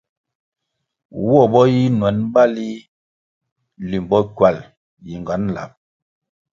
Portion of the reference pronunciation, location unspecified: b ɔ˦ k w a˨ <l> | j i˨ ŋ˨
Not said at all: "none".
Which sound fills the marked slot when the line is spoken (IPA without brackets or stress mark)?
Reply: l